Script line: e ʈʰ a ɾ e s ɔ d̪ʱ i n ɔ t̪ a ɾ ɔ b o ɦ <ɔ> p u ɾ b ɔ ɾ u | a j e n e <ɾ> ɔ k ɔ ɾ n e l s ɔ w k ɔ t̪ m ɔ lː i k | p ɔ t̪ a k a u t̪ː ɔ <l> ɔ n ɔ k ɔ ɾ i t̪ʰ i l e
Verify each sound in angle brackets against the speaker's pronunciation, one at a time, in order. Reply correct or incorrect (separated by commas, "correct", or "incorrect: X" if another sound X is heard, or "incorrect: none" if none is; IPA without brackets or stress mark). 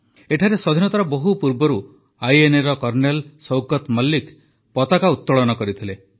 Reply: incorrect: u, correct, incorrect: ɭ